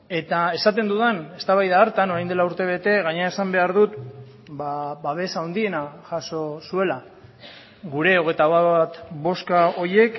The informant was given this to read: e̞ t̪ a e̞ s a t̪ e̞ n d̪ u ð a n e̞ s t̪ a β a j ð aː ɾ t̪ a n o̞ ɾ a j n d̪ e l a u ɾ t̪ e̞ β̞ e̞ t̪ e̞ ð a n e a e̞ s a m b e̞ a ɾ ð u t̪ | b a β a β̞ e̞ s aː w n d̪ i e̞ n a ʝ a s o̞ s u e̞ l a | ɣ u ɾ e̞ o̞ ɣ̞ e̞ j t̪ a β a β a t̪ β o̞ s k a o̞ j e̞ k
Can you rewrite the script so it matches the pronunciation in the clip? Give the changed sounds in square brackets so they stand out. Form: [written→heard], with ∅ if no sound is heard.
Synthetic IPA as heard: e̞ t̪ a e̞ s a t̪ e̞ n d̪ u ð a n e̞ s t̪ a β a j ð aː ɾ t̪ a n o̞ ɾ a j n d̪ e l a u ɾ t̪ e̞ β̞ e̞ t̪ e̞ [ð→ɣ] a [n→ɲ] e a e̞ s a m b e̞ a ɾ ð u t̪ | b a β a β̞ e̞ s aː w n d̪ i e̞ n a ʝ a s o̞ s u e̞ l a | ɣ u ɾ e̞ o̞ ɣ̞ e̞ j t̪ a β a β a t̪ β o̞ s k a o̞ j e̞ k